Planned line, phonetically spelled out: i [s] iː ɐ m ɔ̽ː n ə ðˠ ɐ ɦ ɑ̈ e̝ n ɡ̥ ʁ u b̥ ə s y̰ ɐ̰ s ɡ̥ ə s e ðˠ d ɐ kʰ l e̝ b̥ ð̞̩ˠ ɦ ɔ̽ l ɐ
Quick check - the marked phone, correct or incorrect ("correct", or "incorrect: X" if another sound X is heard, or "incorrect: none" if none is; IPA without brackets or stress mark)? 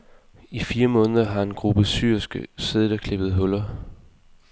incorrect: f